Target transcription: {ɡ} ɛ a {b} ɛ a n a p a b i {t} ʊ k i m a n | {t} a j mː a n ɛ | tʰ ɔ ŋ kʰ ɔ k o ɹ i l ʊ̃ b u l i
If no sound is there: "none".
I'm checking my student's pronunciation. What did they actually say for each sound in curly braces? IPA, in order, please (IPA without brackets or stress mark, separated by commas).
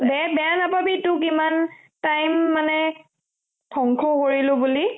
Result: b, b, t, t